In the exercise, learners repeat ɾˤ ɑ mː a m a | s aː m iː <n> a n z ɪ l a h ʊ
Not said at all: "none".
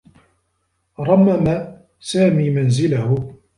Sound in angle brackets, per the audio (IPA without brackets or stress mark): m